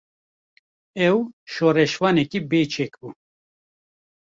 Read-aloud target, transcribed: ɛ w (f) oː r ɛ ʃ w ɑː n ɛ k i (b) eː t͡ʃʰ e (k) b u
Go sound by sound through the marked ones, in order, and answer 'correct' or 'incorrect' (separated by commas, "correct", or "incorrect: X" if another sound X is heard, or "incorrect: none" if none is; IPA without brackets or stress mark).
incorrect: ʃ, correct, correct